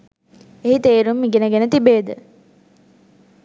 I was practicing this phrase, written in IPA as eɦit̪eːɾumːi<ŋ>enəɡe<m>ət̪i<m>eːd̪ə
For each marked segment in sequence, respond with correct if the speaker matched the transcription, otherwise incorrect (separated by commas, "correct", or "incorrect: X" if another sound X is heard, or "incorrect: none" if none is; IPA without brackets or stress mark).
incorrect: ɡ, incorrect: n, incorrect: b